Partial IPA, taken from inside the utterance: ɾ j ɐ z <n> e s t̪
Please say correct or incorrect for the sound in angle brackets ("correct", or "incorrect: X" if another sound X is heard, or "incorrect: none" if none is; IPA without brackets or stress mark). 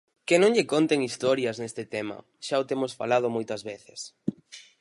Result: correct